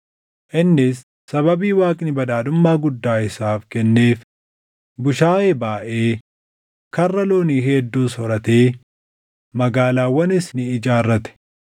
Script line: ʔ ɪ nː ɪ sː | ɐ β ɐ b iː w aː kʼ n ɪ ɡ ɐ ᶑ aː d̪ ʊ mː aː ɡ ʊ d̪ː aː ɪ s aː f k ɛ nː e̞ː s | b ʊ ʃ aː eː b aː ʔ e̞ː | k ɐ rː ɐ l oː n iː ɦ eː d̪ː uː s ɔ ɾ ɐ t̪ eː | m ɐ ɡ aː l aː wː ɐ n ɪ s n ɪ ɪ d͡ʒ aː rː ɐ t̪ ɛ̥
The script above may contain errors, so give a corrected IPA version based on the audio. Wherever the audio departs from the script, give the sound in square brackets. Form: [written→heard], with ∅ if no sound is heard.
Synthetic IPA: ʔ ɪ nː ɪ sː | ɐ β ɐ b iː w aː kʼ n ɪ [ɡ→b] ɐ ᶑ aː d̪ ʊ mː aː ɡ ʊ d̪ː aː ɪ s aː f k ɛ nː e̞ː [s→f] | b ʊ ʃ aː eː b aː ʔ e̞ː | k ɐ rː ɐ l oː n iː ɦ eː d̪ː uː s ɔ ɾ ɐ t̪ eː | m ɐ ɡ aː l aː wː ɐ n ɪ s n ɪ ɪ d͡ʒ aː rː ɐ t̪ ɛ̥